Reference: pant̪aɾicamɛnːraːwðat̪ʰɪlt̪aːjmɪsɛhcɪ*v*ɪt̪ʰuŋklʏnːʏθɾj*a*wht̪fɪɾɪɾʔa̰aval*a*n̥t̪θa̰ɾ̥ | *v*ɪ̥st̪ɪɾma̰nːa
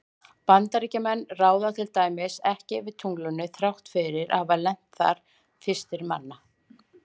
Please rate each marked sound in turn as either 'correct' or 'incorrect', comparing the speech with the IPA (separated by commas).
correct, correct, incorrect, incorrect